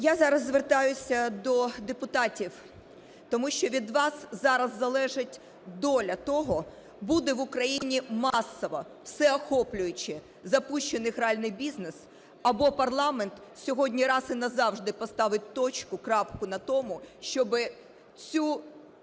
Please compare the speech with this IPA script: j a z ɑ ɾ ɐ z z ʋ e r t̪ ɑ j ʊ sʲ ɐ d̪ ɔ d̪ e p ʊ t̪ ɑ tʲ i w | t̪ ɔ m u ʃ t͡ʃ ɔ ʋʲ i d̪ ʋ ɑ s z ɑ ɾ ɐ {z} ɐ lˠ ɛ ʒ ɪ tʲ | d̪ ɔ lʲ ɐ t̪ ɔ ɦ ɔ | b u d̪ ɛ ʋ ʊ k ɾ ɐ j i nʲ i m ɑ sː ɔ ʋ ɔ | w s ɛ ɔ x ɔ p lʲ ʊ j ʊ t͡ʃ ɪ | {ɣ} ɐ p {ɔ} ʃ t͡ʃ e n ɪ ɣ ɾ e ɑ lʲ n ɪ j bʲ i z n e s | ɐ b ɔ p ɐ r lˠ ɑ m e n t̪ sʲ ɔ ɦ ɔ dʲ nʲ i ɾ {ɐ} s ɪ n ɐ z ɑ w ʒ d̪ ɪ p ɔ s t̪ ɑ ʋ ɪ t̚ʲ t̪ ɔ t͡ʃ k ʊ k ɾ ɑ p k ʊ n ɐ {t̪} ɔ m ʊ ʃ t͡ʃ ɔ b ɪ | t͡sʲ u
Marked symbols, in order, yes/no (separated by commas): no, no, no, no, yes